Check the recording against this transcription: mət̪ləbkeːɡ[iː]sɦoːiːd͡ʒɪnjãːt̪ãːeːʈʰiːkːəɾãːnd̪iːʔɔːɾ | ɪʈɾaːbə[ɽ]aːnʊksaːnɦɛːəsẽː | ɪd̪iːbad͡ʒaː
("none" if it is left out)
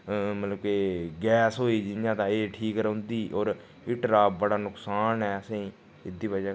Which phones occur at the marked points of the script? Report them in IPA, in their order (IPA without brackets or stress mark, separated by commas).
ɛː, ɽ